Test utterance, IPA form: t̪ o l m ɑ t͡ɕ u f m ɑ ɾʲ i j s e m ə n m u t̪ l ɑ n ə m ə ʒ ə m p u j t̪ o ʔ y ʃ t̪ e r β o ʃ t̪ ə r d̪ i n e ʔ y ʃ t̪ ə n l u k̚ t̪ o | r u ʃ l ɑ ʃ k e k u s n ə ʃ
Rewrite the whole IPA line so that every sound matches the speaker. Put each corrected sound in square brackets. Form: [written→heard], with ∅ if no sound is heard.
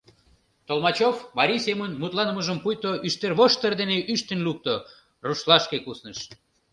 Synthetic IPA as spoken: t̪ o l m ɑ t͡ɕ [u→o] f m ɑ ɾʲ i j s e m ə n m u t̪ l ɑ n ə m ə ʒ ə m p u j t̪ o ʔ y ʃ t̪ e r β o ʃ t̪ ə r d̪ [i→e] n e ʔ y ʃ t̪ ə n l u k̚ t̪ o | r u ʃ l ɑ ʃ k e k u s n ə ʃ